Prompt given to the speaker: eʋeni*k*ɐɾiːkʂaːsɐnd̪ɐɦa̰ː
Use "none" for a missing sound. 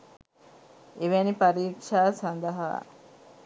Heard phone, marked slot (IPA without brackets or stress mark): p